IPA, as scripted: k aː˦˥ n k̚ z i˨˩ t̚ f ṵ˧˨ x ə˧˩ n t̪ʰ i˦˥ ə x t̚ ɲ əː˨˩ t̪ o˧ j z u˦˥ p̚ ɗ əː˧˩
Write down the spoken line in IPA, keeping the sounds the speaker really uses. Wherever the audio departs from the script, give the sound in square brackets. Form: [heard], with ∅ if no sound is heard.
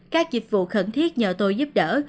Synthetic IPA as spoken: k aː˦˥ [∅] k̚ z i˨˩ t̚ [v] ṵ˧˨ x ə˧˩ n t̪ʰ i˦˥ ə [∅] t̚ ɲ əː˨˩ t̪ o˧ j z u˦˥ p̚ ɗ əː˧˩